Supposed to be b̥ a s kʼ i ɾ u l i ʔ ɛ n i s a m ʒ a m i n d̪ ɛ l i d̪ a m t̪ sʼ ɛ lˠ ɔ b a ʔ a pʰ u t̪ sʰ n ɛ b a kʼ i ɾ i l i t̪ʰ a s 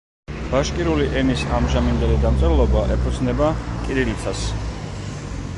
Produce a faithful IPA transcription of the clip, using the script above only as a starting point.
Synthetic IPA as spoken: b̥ a ʃ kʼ i ɾ u l i ʔ ɛ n i s a m ʒ a m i n d̪ ɛ l i d̪ a m t̪ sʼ ɛ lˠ ɔ b a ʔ ɛ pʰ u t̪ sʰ n ɛ b a kʼ i ɾ i l i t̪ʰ a s